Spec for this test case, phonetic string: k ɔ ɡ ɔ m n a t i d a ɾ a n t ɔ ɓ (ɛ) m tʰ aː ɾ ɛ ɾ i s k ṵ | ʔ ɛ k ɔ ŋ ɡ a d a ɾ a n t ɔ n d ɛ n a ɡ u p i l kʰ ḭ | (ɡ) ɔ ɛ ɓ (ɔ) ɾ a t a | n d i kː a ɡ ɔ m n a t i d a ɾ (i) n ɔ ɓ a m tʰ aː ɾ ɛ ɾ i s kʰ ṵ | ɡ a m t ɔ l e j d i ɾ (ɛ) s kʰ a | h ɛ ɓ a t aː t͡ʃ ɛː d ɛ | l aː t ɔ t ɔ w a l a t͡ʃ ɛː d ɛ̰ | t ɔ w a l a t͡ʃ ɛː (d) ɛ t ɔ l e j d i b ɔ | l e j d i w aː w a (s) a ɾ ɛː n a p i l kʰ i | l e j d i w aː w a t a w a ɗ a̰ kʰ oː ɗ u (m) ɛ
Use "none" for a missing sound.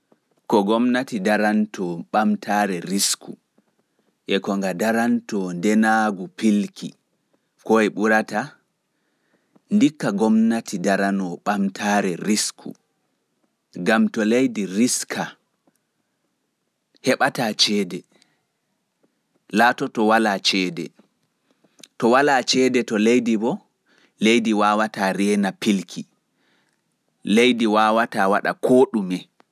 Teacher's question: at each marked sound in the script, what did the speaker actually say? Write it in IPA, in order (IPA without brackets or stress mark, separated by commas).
a, k, u, a, i, d, t, m